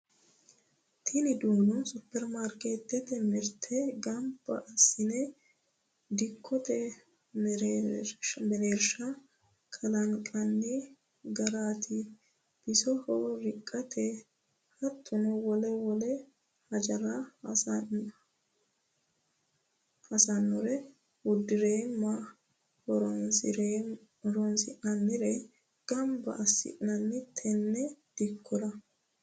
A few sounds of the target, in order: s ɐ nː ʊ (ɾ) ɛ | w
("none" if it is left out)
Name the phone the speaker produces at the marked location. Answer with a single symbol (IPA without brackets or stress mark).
ɾ